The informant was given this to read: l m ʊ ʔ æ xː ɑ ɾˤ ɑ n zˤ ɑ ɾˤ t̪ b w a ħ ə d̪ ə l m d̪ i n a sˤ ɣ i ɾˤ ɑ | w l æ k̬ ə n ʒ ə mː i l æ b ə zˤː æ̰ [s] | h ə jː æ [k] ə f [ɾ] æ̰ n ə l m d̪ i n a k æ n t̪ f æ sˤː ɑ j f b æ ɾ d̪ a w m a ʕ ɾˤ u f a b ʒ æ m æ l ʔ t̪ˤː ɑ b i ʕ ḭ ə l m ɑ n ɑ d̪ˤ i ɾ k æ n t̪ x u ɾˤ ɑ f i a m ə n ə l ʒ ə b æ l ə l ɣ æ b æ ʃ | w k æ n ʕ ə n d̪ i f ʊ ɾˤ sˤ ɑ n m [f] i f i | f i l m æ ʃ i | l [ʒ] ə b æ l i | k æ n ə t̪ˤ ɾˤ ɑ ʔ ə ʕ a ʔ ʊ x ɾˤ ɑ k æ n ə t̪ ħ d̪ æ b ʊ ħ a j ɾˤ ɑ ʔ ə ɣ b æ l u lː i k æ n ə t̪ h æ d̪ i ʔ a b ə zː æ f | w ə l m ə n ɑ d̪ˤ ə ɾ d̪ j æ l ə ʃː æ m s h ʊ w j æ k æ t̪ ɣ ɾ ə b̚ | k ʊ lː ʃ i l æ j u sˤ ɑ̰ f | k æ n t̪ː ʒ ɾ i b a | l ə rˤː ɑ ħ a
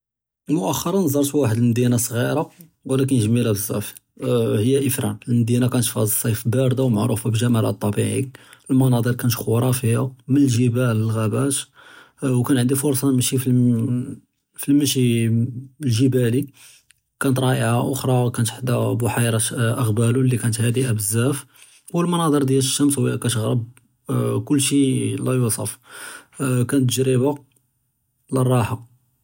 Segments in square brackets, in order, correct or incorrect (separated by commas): incorrect, incorrect, correct, incorrect, correct